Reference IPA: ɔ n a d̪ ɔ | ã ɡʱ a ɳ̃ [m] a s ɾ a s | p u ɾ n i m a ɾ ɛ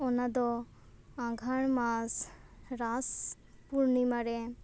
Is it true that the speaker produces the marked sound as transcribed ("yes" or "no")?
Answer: yes